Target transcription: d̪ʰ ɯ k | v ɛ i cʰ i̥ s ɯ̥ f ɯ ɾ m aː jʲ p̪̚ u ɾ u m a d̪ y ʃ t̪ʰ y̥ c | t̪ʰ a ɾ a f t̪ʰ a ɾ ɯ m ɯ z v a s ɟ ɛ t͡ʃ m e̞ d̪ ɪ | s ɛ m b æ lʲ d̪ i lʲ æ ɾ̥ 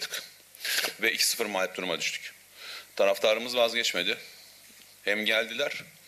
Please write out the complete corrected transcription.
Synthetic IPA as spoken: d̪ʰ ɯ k | v ɛ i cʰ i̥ s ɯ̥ f ɯ ɾ m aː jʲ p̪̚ u ɾ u m a d̪ y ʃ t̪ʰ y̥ c | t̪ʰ a ɾ a f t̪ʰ a ɾ ɯ m ɯ z v a z ɟ ɛ t͡ʃ m e̞ d̪ ɪ | h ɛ m ɟ æ lʲ d̪ i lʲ æ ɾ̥